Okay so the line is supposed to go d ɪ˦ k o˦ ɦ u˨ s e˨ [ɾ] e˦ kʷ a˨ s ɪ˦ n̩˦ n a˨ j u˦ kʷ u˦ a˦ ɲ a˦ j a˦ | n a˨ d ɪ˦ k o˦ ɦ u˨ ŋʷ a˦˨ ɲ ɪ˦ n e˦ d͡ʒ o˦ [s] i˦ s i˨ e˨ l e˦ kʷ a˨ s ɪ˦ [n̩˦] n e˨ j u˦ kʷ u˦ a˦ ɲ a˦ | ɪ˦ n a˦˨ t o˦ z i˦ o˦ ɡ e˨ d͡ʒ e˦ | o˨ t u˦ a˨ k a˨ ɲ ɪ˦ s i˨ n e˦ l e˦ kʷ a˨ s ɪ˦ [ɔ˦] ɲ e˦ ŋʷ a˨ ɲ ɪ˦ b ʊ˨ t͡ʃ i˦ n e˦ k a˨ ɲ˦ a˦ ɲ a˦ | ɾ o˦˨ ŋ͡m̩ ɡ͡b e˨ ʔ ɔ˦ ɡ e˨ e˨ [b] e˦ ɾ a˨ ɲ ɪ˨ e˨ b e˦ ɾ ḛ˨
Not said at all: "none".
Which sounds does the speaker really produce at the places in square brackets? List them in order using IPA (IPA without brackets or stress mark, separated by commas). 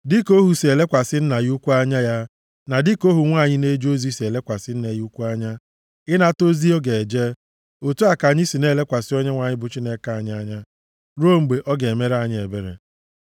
l, z, n̩˦, ɔ˦, m